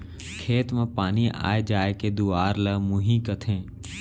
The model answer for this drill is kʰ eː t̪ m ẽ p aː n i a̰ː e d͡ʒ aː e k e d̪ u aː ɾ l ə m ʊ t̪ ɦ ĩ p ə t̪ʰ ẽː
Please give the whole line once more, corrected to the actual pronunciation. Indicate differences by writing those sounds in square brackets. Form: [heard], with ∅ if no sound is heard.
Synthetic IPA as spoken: kʰ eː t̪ m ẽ p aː n i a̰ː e d͡ʒ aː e k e d̪ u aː ɾ l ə m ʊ [∅] ɦ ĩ [k] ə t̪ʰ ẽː

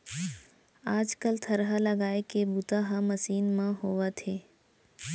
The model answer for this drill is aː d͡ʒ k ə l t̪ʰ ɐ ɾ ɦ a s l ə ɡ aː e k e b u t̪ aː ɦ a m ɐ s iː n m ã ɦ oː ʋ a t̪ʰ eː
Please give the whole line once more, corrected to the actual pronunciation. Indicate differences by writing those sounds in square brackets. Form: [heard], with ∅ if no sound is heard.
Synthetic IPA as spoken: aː d͡ʒ k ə l t̪ʰ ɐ ɾ ɦ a [∅] l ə ɡ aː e k e b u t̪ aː ɦ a m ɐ s iː n m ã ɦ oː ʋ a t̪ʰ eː

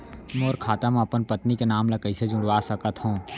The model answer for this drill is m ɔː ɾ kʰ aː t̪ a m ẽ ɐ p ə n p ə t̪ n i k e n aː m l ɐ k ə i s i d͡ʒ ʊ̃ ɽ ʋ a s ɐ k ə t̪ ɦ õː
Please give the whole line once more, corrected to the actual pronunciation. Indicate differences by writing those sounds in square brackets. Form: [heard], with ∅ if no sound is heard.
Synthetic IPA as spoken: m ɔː ɾ kʰ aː t̪ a m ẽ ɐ p ə n p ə t̪ n i k e n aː m l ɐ k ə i s [e] d͡ʒ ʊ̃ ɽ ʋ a s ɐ k ə t̪ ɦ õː

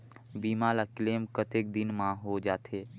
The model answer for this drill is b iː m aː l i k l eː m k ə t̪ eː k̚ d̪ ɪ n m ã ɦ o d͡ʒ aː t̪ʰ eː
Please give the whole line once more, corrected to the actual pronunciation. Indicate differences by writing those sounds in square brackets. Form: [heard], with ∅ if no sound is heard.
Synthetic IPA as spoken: b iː m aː l [a] k l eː m k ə t̪ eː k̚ d̪ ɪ n m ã ɦ o d͡ʒ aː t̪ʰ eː

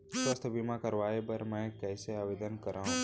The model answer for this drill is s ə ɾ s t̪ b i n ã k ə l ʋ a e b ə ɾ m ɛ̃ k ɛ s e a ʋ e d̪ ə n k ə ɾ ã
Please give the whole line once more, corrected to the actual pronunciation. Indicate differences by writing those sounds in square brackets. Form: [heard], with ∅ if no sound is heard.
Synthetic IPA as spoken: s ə [∅] s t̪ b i [m] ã k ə [ɾ] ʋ a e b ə ɾ m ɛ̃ k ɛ s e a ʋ e d̪ ə n k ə ɾ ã

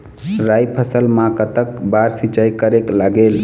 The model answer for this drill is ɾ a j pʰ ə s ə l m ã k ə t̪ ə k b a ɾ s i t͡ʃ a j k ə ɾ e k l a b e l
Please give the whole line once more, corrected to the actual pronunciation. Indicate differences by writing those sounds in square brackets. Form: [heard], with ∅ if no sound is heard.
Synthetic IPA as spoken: ɾ a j pʰ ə s ə l m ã k ə t̪ ə k b a ɾ s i t͡ʃ a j k ə ɾ e k l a [ɡ] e l

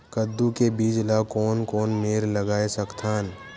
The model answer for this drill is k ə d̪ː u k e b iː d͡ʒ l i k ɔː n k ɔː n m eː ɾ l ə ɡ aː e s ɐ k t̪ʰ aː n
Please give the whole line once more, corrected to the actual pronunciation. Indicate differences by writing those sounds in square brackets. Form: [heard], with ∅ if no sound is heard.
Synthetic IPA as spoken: k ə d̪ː u k e b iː d͡ʒ l [a] k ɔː n k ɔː n m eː ɾ l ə ɡ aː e s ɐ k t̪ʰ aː n

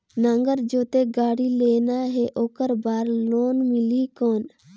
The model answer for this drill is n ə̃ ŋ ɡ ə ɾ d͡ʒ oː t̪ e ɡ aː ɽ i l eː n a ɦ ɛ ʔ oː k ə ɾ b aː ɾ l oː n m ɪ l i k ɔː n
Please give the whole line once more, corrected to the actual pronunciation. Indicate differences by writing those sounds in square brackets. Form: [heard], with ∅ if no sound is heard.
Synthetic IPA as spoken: n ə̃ ŋ ɡ ə ɾ d͡ʒ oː t̪ e ɡ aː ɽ i l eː n a ɦ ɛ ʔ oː k ə ɾ b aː ɾ l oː n m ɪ l i k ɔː n

